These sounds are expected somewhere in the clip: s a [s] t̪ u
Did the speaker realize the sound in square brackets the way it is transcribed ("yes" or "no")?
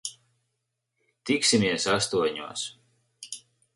yes